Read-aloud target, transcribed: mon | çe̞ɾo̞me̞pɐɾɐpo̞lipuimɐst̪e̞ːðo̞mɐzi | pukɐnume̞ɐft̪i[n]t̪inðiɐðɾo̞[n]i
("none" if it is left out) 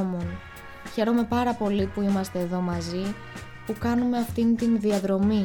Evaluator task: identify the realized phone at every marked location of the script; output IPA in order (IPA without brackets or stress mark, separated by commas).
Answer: n, m